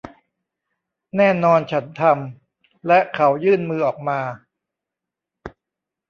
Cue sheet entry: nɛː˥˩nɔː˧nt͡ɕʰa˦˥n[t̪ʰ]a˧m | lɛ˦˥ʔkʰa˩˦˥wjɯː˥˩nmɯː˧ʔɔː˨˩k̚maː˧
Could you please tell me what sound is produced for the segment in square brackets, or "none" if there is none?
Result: t̪ʰ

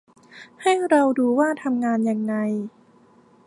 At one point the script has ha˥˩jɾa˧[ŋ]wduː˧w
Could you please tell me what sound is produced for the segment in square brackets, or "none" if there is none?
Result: none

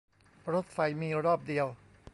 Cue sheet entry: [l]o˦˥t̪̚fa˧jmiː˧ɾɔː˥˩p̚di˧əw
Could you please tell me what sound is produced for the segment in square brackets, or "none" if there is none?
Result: ɾ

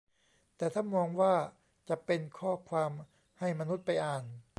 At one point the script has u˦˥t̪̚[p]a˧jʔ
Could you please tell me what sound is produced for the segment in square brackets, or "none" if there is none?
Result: p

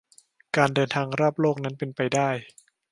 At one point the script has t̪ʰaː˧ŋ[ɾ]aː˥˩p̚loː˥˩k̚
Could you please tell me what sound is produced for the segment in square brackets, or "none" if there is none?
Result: ɾ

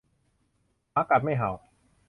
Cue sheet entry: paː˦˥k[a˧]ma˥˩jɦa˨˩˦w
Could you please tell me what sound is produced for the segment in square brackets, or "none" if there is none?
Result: a˨˩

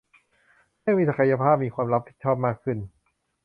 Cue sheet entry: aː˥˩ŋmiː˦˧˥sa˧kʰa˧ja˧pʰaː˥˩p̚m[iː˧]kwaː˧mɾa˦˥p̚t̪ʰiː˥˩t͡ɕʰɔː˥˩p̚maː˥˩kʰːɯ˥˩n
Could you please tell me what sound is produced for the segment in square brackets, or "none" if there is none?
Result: iː˧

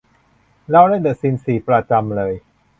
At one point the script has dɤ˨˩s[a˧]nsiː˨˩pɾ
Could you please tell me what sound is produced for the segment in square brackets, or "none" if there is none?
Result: i˧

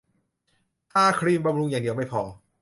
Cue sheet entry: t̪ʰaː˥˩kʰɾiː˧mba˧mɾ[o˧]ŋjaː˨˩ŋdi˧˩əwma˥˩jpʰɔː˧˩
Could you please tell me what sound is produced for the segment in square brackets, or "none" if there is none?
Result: u˧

